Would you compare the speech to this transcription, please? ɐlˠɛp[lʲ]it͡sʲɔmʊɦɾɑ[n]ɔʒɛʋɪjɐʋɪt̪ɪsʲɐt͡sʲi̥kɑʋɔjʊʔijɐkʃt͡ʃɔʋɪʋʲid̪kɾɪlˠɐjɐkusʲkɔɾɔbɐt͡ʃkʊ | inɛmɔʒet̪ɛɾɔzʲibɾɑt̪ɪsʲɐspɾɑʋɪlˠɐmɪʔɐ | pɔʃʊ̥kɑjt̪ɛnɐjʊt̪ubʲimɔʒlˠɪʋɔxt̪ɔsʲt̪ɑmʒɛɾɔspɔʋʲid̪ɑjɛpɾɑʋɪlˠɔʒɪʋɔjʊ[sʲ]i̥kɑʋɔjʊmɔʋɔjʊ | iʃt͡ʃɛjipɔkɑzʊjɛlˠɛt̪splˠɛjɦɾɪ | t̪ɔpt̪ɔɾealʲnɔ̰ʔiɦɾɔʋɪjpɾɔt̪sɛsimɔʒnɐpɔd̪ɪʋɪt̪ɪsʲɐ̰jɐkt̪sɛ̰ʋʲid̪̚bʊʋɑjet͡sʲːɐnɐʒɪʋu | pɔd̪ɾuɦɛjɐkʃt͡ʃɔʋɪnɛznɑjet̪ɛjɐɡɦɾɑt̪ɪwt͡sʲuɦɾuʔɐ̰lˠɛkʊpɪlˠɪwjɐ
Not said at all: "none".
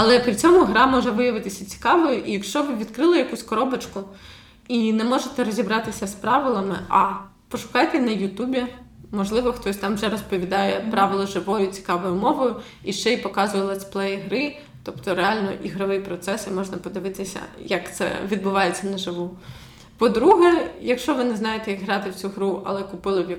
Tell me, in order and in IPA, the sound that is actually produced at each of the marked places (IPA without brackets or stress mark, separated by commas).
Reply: ɾʲ, m, t͡sʲ